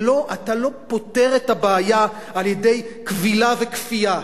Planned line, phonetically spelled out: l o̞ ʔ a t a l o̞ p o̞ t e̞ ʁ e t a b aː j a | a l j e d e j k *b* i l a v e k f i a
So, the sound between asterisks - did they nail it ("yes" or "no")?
no